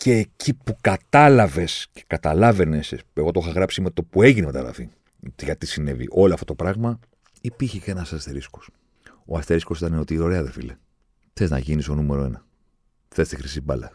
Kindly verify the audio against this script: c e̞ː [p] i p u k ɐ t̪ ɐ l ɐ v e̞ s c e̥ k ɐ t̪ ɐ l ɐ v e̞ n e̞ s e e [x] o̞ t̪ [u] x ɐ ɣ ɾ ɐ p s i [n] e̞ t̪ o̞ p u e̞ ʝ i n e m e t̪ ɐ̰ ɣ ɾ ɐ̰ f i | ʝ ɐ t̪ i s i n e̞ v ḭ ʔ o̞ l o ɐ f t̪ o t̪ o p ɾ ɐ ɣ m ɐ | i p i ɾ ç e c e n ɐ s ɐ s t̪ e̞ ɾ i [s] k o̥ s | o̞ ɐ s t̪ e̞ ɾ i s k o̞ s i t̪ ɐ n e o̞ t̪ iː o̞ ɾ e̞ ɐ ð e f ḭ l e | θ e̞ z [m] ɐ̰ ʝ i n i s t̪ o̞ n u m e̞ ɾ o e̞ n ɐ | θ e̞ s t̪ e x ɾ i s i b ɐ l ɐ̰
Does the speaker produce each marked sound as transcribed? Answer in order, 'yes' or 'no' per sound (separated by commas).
no, no, no, no, yes, no